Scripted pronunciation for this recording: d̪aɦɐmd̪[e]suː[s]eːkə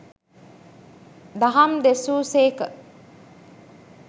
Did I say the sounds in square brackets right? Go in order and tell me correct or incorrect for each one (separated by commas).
correct, correct